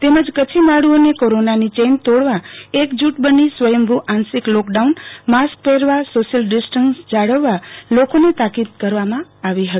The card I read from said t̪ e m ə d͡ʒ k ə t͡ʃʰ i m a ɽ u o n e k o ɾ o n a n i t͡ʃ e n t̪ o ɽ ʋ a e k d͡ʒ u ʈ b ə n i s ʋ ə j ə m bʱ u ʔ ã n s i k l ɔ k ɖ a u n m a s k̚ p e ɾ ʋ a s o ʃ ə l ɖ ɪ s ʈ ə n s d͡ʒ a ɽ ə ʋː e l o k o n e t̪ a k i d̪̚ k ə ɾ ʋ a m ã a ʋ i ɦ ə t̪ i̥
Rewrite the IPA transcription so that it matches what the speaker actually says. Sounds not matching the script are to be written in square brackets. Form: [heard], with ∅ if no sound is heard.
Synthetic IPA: t̪ e m ə d͡ʒ k ə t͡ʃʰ i m a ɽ u o n e k o ɾ o n a n i t͡ʃ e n t̪ o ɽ ʋ a e k d͡ʒ u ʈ b ə n i s ʋ ə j ə m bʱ u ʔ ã n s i k l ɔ k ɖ a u n m a s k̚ p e ɾ ʋ a s o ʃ ə l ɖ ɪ s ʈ ə n s d͡ʒ a ɽ ə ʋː [a] l o k o n e t̪ a k i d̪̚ k ə ɾ ʋ a m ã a ʋ i ɦ ə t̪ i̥